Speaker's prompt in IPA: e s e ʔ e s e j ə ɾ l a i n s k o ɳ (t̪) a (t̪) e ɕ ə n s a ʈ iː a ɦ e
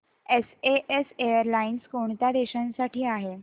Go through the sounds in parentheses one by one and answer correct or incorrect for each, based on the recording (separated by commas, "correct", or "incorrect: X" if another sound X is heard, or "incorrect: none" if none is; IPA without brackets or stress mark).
correct, incorrect: d̪